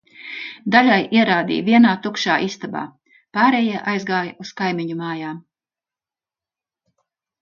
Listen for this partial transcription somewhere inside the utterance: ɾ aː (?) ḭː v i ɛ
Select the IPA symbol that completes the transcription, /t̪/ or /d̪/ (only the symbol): d̪